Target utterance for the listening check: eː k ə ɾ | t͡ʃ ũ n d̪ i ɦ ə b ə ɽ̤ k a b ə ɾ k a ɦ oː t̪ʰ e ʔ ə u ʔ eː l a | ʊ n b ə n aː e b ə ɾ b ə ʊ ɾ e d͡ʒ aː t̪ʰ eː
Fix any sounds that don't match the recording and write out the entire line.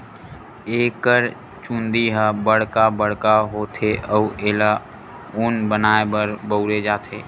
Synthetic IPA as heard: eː k ə ɾ | t͡ʃ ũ n d̪ i ɦ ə b ə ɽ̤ k a b ə ɽ k a ɦ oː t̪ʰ e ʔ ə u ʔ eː l a | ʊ n b ə n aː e b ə ɾ b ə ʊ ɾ e d͡ʒ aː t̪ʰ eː